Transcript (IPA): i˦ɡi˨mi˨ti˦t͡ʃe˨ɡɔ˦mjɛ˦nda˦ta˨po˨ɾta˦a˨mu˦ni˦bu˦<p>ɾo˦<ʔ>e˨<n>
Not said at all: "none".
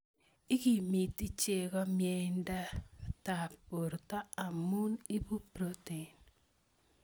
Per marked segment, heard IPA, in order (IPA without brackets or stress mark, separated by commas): p, t, n